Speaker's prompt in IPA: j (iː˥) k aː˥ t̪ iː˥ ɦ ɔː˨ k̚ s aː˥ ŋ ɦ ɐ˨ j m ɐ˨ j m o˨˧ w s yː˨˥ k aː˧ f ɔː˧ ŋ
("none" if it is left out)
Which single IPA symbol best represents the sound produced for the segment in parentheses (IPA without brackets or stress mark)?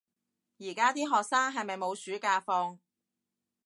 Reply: iː˨˩